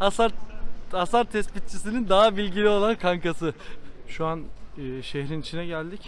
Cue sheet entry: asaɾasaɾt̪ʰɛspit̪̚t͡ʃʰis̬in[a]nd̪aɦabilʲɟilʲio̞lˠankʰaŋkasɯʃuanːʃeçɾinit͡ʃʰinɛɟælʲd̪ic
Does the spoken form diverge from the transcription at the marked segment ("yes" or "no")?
yes